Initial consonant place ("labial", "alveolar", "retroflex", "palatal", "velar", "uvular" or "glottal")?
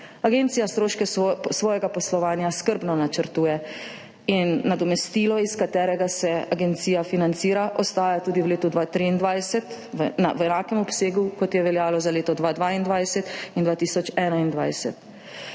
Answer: velar